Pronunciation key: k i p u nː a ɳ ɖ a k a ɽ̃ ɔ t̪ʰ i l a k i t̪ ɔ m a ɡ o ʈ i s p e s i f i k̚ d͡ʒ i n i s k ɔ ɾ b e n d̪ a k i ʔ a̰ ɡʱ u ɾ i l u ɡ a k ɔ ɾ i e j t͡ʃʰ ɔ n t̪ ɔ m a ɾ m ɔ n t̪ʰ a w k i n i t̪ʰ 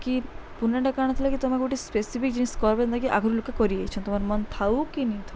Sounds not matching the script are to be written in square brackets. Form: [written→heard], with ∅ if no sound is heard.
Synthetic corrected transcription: k i p u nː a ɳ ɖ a k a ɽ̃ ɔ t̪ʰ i l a k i t̪ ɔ m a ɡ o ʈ i s p e s i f i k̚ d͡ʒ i n i s k ɔ ɾ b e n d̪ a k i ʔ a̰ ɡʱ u ɾ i l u [ɡ→k] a k ɔ ɾ i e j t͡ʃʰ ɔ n t̪ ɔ m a ɾ m ɔ n t̪ʰ a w k i n i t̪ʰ